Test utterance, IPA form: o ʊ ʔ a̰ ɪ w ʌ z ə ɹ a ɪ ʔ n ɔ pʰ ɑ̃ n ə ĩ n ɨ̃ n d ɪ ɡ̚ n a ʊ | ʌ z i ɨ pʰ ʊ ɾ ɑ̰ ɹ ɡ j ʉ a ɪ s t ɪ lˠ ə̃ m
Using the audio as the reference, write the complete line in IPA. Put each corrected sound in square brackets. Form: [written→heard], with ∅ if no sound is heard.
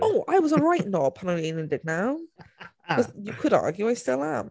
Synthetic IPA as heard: o ʊ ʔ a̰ ɪ w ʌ z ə ɹ a ɪ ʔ n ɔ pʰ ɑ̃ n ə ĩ n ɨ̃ n d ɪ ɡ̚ n a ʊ | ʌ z [i→j] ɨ [pʰ→kʰ] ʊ ɾ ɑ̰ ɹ ɡ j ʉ a ɪ s t ɪ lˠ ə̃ m